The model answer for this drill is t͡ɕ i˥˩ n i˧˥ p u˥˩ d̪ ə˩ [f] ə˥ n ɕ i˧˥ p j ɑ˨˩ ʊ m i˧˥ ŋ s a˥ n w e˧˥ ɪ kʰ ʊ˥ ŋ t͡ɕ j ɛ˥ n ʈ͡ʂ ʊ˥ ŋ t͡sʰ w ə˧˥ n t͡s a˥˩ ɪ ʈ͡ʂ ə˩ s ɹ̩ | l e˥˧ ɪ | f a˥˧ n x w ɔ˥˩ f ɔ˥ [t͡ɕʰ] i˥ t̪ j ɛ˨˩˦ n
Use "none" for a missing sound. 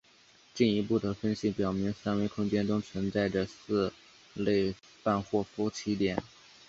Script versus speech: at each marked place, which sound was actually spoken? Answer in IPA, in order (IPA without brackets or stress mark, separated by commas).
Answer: f, t͡ɕʰ